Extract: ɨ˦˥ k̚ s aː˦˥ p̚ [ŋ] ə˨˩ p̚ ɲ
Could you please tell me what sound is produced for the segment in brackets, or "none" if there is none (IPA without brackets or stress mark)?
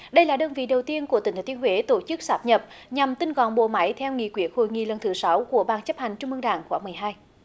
ɲ